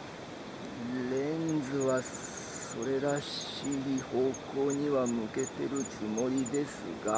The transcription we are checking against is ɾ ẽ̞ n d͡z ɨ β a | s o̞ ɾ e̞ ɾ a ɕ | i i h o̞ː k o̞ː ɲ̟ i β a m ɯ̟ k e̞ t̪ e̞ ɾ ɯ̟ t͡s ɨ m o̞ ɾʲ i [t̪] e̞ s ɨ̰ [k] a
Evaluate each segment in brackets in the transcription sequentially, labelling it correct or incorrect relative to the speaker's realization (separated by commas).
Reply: incorrect, incorrect